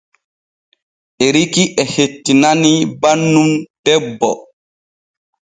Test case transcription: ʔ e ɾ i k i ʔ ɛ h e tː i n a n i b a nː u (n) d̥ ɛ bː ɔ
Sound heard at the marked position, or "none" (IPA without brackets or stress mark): m